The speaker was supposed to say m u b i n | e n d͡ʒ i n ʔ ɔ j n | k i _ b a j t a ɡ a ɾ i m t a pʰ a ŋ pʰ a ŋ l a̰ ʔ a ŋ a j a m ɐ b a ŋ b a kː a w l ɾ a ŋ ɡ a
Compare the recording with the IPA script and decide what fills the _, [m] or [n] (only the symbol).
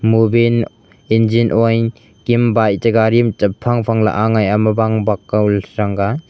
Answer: m